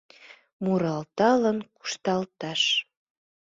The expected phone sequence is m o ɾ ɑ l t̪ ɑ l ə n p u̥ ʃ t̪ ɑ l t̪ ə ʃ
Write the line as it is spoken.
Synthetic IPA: m u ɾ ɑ l t̪ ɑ l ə n k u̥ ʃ t̪ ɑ l t̪ ɑ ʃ